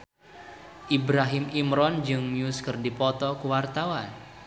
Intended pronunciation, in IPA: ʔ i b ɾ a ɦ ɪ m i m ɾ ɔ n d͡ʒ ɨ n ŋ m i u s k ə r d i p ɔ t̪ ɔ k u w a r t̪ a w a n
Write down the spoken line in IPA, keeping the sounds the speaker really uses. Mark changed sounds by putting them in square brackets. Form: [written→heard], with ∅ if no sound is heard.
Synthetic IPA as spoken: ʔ i b ɾ a ɦ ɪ m i m ɾ ɔ n d͡ʒ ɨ [n→∅] ŋ m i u s k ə r d i p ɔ t̪ ɔ k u w a r t̪ a w a n